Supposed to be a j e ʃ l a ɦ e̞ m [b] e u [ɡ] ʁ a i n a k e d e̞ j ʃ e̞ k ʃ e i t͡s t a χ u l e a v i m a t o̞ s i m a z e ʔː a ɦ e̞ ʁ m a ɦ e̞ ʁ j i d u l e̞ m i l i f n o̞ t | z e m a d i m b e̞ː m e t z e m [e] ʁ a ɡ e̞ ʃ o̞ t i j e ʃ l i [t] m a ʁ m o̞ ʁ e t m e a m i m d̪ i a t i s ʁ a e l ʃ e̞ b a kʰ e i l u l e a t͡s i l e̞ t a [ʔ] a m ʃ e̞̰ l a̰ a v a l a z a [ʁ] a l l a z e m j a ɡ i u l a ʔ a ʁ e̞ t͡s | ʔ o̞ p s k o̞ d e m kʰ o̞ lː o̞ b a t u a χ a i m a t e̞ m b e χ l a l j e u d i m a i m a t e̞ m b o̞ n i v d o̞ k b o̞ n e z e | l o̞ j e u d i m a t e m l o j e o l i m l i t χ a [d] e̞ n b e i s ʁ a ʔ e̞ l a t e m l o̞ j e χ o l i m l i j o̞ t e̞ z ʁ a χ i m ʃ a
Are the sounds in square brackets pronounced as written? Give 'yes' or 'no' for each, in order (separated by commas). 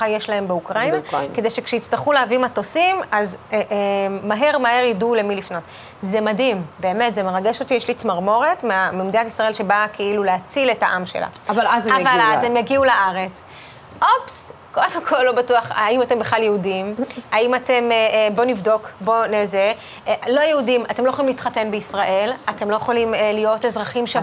yes, no, yes, no, yes, no, no